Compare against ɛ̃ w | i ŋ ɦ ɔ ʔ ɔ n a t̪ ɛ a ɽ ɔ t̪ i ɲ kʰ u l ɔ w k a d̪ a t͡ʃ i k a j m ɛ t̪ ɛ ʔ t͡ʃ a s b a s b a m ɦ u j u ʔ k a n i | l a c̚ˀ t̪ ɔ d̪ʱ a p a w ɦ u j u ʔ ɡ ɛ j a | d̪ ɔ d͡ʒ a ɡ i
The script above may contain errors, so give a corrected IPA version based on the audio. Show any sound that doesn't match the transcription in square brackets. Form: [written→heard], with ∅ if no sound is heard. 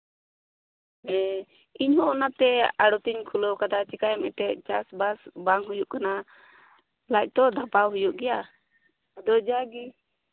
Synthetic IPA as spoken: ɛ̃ [w→∅] | i [ŋ→ɲ] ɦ ɔ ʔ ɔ n a t̪ ɛ a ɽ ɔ t̪ i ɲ kʰ u l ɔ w k a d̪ a t͡ʃ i k a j m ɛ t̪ ɛ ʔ t͡ʃ a s b a s b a [m→ŋ] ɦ u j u ʔ k a n [i→a] | l a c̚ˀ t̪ ɔ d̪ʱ a p a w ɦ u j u ʔ ɡ ɛ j a | d̪ ɔ d͡ʒ a ɡ i